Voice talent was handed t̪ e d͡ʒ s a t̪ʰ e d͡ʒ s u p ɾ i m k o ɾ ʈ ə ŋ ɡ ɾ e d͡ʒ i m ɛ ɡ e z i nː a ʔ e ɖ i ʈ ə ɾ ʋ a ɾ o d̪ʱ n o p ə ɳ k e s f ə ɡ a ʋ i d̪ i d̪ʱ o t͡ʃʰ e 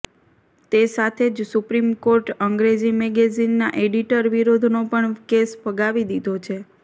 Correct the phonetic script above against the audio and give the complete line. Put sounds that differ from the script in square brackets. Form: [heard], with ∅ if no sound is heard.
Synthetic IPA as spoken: t̪ e [∅] s a t̪ʰ e d͡ʒ s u p ɾ i m k o ɾ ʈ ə ŋ ɡ ɾ e d͡ʒ i m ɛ ɡ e z i nː a ʔ e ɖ i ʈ ə ɾ ʋ [i] ɾ o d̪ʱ n o p ə ɳ k e s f ə ɡ a ʋ i d̪ i d̪ʱ o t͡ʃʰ e